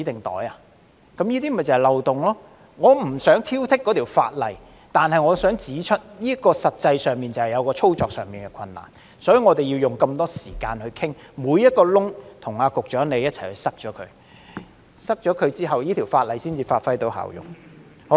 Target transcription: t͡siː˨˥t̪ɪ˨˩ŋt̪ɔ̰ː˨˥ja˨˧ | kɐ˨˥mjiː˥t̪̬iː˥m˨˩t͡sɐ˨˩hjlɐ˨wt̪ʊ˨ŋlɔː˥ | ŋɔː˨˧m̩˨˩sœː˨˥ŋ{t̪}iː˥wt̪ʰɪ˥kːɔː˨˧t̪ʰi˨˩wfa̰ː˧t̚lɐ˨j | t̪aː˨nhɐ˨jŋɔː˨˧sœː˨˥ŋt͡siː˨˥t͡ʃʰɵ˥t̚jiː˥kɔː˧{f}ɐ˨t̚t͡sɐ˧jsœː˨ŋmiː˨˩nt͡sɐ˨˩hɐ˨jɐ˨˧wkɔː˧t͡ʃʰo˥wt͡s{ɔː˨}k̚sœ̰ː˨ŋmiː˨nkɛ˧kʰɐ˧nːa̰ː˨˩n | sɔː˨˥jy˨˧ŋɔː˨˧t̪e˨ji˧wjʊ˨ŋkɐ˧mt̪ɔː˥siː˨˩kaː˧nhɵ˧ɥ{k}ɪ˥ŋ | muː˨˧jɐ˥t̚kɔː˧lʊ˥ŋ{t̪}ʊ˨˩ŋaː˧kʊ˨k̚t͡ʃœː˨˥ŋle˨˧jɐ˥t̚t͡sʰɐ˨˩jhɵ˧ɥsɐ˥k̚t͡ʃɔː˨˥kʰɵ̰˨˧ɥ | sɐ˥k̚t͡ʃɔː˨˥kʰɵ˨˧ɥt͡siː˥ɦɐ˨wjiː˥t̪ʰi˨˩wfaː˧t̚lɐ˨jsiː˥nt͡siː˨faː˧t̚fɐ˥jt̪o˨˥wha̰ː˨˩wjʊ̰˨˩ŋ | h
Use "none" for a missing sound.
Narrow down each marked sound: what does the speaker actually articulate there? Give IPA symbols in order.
t̪ʰ, s, ɔː˨, kʰ, t̪ʰ

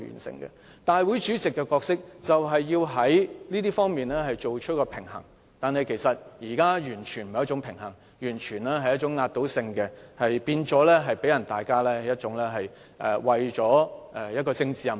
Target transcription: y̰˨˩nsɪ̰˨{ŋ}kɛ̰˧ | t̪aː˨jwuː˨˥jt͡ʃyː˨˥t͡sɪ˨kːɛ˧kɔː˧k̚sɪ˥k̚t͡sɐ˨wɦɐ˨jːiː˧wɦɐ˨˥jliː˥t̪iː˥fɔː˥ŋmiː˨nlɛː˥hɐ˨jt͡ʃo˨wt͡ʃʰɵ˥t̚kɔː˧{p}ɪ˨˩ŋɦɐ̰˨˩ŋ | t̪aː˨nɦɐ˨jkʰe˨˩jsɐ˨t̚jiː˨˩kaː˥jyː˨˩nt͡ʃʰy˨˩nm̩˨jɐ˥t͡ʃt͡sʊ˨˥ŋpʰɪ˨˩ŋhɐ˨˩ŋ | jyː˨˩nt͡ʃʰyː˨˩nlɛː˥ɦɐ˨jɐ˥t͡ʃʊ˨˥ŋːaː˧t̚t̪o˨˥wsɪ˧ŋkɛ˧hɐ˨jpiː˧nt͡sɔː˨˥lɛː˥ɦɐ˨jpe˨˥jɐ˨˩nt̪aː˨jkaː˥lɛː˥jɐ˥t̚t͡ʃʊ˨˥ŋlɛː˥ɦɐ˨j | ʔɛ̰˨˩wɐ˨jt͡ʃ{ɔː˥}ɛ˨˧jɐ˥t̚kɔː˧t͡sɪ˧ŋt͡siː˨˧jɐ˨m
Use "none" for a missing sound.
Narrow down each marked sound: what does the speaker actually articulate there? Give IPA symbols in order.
ŋ, pʰ, ɔː˨˥

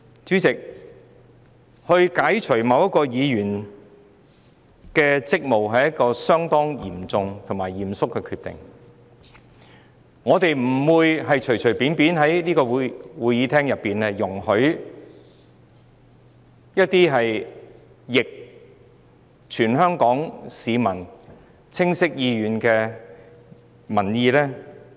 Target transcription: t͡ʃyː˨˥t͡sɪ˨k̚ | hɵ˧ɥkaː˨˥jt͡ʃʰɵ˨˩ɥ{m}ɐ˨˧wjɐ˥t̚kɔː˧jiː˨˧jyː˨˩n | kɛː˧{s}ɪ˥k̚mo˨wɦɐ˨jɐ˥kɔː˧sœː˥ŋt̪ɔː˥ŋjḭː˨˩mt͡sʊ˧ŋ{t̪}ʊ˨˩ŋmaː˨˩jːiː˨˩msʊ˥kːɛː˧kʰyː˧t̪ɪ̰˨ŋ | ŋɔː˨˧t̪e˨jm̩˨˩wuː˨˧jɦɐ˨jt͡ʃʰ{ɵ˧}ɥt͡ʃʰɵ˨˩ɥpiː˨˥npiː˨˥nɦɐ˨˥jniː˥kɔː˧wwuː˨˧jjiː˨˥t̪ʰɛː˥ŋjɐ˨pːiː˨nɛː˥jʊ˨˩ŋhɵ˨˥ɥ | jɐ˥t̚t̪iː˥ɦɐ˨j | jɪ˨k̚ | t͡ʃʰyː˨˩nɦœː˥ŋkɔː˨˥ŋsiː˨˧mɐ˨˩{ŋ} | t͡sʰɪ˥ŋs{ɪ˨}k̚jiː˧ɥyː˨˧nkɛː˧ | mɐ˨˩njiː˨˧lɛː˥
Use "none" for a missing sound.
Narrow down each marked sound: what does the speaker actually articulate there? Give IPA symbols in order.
m, t͡s, t̪ʰ, ɵ˨˩, n, ɪ˥

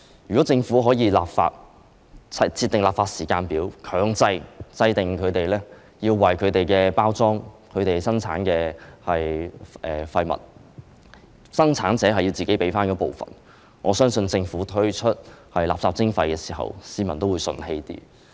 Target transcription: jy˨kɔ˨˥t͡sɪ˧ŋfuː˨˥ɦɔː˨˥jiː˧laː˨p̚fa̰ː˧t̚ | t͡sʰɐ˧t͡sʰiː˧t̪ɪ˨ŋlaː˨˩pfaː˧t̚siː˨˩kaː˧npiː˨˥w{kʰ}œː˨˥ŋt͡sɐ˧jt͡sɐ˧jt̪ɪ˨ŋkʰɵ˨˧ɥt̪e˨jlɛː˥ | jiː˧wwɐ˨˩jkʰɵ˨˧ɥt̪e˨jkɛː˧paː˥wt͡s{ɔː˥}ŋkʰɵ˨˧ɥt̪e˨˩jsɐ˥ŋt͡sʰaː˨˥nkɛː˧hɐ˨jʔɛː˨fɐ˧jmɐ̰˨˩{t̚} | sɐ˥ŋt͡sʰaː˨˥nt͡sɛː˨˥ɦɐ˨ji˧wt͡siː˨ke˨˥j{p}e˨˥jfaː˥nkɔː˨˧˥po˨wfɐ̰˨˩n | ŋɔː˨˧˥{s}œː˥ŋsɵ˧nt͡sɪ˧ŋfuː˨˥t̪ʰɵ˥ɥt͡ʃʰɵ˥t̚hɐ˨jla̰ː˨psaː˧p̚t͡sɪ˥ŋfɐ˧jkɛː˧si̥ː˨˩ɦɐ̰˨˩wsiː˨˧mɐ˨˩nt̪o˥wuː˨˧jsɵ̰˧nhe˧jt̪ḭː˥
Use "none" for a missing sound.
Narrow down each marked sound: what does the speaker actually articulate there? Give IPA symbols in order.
kʰ, ɔː˥, t̚, p, s

